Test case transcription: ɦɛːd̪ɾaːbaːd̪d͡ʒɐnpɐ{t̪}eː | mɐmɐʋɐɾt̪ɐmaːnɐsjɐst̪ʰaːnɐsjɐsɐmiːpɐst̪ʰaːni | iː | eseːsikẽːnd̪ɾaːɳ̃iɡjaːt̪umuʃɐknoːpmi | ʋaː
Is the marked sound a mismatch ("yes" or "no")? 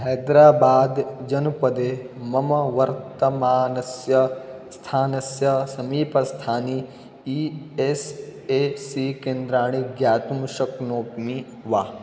yes